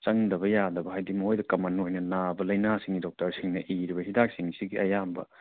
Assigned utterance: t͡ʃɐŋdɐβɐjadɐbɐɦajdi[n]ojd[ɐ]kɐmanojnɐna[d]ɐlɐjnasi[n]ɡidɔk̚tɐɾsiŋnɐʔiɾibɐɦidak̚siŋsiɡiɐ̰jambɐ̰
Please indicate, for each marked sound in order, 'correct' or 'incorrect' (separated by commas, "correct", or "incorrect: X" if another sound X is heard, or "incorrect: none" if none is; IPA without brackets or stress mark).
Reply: incorrect: m, correct, incorrect: b, incorrect: ŋ